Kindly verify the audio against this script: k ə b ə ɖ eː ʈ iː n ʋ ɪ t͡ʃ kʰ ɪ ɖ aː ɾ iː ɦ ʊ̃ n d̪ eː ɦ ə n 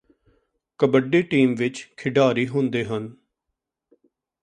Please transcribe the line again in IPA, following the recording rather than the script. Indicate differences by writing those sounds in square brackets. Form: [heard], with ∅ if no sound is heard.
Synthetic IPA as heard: k ə b ə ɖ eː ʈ iː [m] ʋ ɪ t͡ʃ kʰ ɪ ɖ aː ɾ iː ɦ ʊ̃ n d̪ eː ɦ ə n